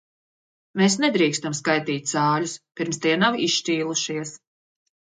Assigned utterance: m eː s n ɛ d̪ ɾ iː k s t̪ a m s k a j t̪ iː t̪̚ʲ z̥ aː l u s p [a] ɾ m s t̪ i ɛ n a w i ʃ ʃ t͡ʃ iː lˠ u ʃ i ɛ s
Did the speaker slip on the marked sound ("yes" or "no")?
yes